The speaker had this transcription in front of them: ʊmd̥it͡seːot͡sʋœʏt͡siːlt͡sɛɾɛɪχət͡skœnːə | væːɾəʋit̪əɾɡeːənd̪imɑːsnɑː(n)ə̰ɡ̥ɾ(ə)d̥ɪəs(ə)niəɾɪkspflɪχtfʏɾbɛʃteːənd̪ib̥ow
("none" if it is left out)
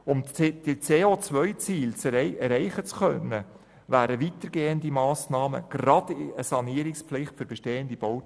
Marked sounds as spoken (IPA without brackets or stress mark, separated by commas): m, ɑ, ɑ